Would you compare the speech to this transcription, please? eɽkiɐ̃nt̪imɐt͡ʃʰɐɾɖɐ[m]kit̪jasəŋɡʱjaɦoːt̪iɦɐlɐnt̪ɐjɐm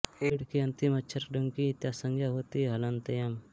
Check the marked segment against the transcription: incorrect: ŋ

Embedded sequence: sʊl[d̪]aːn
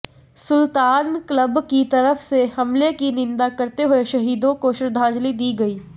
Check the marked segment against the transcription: incorrect: t̪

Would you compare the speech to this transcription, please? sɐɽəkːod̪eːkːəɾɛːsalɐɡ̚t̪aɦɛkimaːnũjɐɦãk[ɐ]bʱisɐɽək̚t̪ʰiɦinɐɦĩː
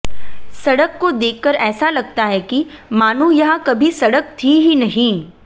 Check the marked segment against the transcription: correct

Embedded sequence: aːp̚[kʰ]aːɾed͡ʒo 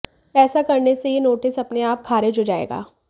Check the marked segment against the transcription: correct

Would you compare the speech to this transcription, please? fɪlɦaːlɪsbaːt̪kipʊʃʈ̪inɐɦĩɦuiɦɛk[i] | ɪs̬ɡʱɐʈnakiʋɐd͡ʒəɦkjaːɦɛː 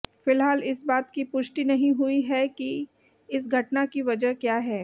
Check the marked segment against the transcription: correct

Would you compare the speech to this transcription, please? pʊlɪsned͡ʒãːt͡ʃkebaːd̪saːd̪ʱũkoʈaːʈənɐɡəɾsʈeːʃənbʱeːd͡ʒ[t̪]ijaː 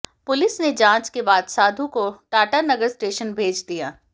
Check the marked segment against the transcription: incorrect: d̪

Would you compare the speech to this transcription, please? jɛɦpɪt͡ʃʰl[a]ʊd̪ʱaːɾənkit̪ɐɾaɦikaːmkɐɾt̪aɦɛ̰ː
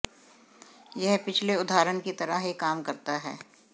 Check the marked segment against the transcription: incorrect: e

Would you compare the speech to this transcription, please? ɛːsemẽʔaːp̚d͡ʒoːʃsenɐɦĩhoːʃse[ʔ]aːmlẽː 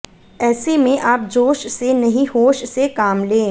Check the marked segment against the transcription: incorrect: k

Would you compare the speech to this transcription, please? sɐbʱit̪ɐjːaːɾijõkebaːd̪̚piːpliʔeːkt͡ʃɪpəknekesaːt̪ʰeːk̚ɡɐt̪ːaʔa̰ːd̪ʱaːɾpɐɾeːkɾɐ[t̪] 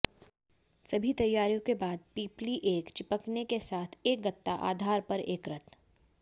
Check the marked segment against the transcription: correct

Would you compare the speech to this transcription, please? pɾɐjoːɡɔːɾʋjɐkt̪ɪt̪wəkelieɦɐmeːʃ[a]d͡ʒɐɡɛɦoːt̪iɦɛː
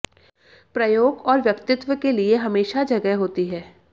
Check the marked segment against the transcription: correct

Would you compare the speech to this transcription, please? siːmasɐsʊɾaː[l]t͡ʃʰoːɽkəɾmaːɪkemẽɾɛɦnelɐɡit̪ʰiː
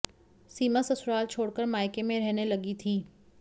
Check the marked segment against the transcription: correct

